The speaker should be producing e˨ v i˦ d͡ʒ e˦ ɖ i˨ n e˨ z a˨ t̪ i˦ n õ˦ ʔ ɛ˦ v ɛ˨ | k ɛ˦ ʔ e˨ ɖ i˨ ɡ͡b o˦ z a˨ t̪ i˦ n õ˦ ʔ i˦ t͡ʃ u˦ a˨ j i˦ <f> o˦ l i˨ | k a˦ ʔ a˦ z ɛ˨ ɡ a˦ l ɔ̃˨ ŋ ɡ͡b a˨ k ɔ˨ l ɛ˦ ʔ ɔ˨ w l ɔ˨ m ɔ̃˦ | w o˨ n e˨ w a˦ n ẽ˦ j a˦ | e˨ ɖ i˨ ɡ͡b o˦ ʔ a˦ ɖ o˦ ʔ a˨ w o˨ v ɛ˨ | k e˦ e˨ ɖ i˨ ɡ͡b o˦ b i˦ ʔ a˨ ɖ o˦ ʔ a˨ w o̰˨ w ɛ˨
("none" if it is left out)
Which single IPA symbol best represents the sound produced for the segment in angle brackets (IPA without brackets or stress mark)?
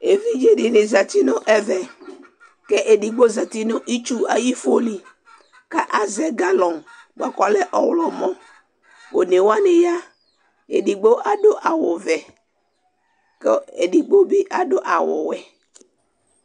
f